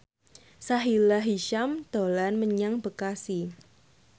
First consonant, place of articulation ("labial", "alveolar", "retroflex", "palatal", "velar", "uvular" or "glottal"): alveolar